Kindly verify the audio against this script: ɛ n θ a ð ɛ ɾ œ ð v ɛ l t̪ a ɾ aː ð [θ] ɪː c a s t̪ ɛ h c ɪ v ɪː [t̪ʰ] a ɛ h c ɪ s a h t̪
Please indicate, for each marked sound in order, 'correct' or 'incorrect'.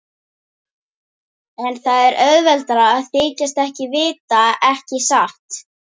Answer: correct, incorrect

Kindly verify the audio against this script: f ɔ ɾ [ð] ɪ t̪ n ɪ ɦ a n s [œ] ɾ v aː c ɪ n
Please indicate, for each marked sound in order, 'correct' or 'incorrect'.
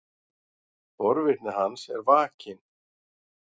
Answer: incorrect, incorrect

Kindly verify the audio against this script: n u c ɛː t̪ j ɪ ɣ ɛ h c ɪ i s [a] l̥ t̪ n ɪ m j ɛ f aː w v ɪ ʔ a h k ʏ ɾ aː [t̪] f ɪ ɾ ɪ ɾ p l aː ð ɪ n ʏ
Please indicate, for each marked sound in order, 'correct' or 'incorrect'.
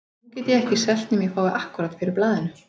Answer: incorrect, correct

